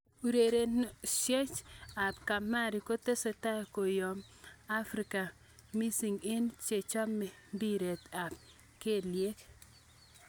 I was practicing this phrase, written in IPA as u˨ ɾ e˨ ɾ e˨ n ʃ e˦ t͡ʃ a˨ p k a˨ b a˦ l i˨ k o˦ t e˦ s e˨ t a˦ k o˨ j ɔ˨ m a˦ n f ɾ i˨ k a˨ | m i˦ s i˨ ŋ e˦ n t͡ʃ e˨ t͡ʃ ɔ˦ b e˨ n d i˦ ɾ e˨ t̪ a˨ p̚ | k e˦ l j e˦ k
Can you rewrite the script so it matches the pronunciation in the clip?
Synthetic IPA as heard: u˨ ɾ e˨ ɾ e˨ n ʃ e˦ t͡ʃ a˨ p k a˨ m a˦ ɾ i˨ k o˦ t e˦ s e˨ t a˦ k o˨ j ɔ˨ m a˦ f ɾ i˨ k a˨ | m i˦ s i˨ ŋ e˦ n t͡ʃ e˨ t͡ʃ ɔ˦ m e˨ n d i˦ ɾ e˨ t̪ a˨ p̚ | k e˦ l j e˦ k